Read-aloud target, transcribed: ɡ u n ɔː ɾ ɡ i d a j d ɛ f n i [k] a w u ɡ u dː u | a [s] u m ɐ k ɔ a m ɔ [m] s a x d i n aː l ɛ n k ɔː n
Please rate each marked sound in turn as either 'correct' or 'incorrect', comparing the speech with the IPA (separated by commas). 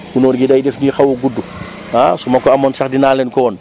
incorrect, correct, incorrect